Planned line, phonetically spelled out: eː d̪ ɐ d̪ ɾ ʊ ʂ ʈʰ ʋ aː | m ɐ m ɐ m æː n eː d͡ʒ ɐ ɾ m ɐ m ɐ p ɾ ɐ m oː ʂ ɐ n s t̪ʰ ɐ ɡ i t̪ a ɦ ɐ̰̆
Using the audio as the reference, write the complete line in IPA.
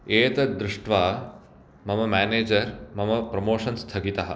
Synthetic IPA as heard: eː t̪ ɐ d̪ ɾ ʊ ʂ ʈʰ ʋ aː | m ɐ m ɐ m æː n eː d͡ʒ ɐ ɾ m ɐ m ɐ p ɾ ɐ m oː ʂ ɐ n s t̪ʰ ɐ ɡ i t̪ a ɦ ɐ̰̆